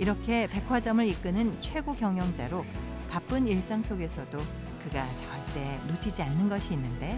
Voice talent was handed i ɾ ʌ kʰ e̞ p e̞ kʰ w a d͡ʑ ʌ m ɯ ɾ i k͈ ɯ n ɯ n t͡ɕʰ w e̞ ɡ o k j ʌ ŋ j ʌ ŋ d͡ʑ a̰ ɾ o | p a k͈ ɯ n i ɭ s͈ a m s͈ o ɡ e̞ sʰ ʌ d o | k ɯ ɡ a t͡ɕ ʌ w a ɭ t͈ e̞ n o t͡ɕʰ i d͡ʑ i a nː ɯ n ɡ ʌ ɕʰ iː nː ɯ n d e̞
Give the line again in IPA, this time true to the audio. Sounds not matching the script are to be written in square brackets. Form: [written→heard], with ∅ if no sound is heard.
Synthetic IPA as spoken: i ɾ ʌ kʰ e̞ p e̞ kʰ w a d͡ʑ ʌ m ɯ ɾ i k͈ ɯ n ɯ n t͡ɕʰ w e̞ ɡ o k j ʌ ŋ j ʌ ŋ d͡ʑ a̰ ɾ o | p a [k͈→p͈] ɯ n i ɭ s͈ a [m→ŋ] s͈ o ɡ e̞ sʰ ʌ d o | k ɯ ɡ a t͡ɕ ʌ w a ɭ t͈ e̞ n o t͡ɕʰ i d͡ʑ i a nː ɯ n ɡ ʌ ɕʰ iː nː ɯ n d e̞